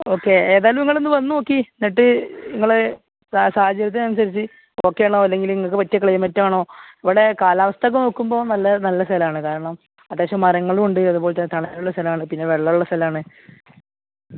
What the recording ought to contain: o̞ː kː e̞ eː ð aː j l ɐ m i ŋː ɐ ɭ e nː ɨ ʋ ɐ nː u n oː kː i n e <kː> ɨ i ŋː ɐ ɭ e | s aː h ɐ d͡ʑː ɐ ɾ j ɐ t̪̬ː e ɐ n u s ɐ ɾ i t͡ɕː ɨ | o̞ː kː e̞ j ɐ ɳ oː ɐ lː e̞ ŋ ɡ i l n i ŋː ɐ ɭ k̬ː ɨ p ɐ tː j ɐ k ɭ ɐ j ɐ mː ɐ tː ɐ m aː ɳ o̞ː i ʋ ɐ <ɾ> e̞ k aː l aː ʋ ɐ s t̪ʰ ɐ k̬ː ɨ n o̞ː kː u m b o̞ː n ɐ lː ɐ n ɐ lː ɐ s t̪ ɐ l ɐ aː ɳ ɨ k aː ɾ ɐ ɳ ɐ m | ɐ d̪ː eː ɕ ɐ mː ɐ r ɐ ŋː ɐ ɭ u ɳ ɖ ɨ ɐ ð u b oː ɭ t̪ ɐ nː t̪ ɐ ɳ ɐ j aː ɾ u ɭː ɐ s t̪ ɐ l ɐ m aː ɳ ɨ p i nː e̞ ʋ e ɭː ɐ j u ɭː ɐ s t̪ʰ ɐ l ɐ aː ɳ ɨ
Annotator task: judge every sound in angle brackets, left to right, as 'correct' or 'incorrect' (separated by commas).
incorrect, incorrect